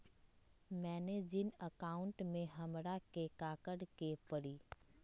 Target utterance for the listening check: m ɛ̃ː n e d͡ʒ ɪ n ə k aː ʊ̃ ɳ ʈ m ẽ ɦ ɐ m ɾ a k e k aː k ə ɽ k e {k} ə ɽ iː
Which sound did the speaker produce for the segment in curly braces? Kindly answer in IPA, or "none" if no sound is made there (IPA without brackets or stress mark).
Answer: p